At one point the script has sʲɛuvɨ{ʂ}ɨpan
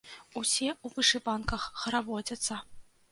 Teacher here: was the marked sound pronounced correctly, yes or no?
yes